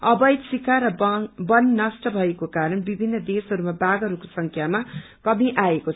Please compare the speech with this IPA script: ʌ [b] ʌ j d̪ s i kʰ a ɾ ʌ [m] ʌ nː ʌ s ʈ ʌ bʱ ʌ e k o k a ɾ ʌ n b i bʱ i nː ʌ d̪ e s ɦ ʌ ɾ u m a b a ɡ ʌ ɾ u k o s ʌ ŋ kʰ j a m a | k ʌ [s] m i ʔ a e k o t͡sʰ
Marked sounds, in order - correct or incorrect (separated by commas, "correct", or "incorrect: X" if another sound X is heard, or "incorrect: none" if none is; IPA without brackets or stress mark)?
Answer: correct, incorrect: b, incorrect: none